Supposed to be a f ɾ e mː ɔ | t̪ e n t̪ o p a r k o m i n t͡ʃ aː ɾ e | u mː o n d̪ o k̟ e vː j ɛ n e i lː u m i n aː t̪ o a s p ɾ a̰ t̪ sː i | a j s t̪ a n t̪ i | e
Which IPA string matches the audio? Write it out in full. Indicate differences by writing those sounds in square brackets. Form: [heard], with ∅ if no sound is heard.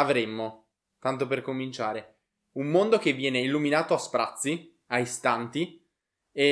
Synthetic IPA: a [v] ɾ e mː [o] | t̪ [a] n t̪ o p [e] r k o m i n t͡ʃ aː ɾ e | u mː o n d̪ o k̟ e vː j [ɛː] n e i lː u m i n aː t̪ o a s p ɾ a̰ t̪ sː i | a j s t̪ a n t̪ i | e

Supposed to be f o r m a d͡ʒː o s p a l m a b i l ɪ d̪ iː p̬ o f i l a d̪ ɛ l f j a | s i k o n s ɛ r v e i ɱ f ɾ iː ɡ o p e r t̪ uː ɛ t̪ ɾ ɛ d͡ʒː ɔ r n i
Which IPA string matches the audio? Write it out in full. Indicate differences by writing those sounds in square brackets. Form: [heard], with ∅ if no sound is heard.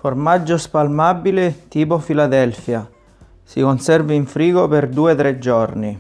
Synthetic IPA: f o r m a d͡ʒː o s p a l m a b i l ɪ [t̪] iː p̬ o f i l a d̪ ɛ l f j a | s i k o n s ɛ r v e i ɱ f ɾ iː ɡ o p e r [d̪] uː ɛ t̪ ɾ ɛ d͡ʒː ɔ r n i

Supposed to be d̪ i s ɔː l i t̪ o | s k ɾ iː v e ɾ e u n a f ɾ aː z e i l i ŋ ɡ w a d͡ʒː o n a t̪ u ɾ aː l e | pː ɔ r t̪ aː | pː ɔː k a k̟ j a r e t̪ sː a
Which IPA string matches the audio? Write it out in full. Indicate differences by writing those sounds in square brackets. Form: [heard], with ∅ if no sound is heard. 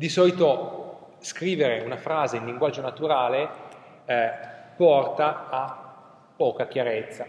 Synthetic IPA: d̪ i s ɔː l i t̪ o | s k ɾ iː v e ɾ e u n a f ɾ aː z e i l i ŋ ɡ w a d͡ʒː o n a t̪ u ɾ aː l e | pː ɔ r t̪ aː | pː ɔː k a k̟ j a [ɾ] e t̪ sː a

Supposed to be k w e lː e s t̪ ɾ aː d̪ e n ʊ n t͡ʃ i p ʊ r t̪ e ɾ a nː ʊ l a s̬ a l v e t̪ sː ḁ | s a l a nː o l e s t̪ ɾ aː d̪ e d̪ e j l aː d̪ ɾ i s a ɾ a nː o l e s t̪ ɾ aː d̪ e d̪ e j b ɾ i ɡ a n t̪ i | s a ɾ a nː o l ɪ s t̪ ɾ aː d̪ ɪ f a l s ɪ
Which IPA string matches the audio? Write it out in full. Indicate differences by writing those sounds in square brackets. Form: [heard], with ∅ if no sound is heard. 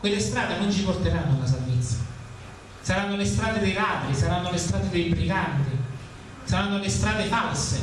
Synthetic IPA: k w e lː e s t̪ ɾ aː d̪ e n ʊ n t͡ʃ i p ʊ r t̪ e ɾ a nː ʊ l a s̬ a l v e t̪ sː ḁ | s a [ɾ] a nː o l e s t̪ ɾ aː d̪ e d̪ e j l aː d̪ ɾ i s a ɾ a nː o l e s t̪ ɾ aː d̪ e d̪ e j b ɾ i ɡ a n t̪ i | s a ɾ a nː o l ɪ s t̪ ɾ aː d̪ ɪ f a l s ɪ

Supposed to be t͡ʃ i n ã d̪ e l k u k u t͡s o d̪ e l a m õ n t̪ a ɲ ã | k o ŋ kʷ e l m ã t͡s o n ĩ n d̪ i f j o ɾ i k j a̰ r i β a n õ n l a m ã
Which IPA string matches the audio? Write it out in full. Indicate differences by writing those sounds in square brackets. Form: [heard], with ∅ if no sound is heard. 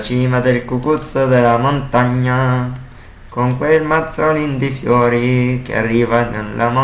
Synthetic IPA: t͡ʃ i [m] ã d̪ e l k u k u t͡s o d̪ e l a m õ n t̪ a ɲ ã | k o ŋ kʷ e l m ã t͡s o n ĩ n d̪ i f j o ɾ i k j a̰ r i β a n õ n l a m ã

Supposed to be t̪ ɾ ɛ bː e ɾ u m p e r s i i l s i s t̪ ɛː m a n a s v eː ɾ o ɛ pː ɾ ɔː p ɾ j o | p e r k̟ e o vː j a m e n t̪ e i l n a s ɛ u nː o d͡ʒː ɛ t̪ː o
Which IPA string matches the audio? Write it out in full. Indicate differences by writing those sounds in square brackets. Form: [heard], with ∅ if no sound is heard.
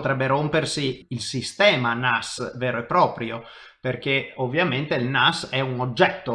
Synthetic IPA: t̪ ɾ ɛ bː e ɾ [o] m p e r s i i l s i s t̪ ɛː m a n a s v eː ɾ o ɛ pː ɾ ɔː p ɾ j o | p e r k̟ e o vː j a m e n t̪ e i l n a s ɛ u [n] o d͡ʒː ɛ t̪ː o

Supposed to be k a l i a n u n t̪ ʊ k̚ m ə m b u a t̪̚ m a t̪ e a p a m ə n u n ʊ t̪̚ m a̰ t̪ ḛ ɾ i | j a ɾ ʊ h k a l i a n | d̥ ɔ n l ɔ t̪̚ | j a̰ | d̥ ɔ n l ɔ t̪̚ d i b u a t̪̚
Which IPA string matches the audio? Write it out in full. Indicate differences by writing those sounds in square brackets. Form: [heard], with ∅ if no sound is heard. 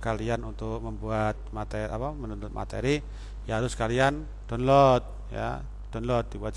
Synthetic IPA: k a l i a n u n t̪ ʊ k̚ m ə m b u a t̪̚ m a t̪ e a p a m ə n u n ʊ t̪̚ m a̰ t̪ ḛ ɾ i | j a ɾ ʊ [s] k a l i a n | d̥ ɔ n l ɔ t̪̚ | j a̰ | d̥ ɔ n l ɔ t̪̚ d i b u a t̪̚

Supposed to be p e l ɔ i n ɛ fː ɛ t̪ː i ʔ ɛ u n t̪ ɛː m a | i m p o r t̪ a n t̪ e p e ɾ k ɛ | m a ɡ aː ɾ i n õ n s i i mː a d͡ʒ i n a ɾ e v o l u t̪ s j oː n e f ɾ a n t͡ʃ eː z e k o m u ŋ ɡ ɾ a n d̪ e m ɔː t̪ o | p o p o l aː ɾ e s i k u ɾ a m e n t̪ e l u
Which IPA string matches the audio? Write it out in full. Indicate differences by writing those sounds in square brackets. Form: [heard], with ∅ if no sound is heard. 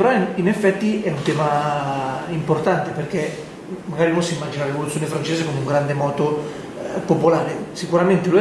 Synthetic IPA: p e [ɾ] ɔ i n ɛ fː ɛ t̪ː i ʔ ɛ u n t̪ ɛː m a | i m p o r t̪ a n t̪ e p e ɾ k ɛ | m a ɡ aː ɾ i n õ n s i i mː a d͡ʒ i n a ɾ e v o l u t̪ s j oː n e f ɾ a n t͡ʃ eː z e k o m u ŋ ɡ ɾ a n d̪ e m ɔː t̪ o | p o p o l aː ɾ e s i k u ɾ a m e n t̪ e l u

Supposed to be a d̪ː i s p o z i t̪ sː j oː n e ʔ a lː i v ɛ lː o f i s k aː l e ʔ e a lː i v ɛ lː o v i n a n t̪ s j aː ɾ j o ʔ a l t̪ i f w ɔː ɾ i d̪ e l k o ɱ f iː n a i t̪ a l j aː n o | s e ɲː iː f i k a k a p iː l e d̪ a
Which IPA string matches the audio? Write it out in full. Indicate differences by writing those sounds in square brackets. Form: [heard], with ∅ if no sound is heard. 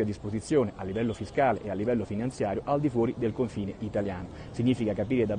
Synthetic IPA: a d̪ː i s p o z i t̪ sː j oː n e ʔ a lː i v ɛ lː o f i s k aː l e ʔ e a lː i v ɛ lː o [f] i n a n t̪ s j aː ɾ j o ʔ a l [d̪] i f w ɔː ɾ i d̪ e l k o ɱ f iː n [e] i t̪ a l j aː n o | s [i] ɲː iː f i k a k a p iː [ɾ] e d̪ a

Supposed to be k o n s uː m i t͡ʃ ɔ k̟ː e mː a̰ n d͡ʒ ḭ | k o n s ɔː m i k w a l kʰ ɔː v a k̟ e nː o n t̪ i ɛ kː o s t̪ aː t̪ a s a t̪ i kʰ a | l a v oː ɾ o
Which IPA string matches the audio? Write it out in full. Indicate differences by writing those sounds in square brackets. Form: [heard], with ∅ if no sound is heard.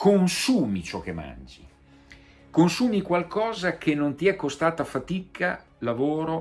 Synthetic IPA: k o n s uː m i t͡ʃ ɔ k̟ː e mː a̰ n d͡ʒ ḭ | k o n s [uː] m i k w a l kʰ ɔː [z] a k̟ e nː o n t̪ i ɛ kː o s t̪ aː t̪ a [f] a t̪ i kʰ a | l a v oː ɾ o

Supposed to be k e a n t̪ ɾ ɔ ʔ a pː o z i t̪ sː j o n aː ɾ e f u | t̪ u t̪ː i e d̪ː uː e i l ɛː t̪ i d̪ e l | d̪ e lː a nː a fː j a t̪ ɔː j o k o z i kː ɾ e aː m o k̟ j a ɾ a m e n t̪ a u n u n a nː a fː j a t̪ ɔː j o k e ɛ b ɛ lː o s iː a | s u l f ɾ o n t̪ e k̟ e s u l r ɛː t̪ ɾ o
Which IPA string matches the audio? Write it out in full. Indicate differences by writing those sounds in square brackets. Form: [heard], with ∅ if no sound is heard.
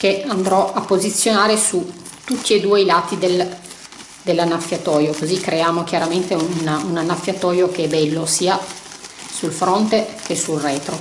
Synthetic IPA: k e a n [d̪] ɾ ɔ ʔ a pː o z i t̪ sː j o n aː ɾ e [s] u | t̪ u t̪ː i e [d̪] uː e i l [aː] t̪ i d̪ e l | d̪ e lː a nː a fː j a t̪ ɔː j o k o z i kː ɾ e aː m o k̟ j a ɾ a m e n t̪ [e] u n u n a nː a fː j a t̪ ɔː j o k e ɛ b ɛ lː o s iː a | s u l f ɾ o n t̪ e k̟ e s u l r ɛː t̪ ɾ o

